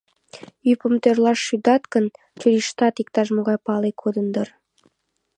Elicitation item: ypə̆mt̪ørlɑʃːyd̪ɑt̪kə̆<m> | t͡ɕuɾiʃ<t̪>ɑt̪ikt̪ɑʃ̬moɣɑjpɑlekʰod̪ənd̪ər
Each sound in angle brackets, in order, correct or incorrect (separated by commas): incorrect, correct